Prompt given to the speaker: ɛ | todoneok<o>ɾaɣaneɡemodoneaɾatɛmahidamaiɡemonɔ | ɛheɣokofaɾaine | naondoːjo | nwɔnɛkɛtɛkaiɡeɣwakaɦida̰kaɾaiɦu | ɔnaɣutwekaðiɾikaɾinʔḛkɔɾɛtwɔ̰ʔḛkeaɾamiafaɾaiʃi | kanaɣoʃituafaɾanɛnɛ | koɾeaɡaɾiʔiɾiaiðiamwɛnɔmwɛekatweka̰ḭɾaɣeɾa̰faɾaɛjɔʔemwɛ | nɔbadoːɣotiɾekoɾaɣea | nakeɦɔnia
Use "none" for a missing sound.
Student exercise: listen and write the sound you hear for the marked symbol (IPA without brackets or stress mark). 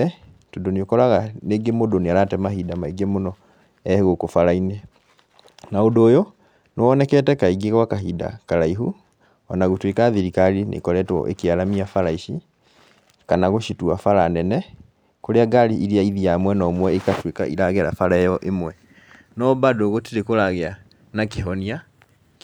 ɔ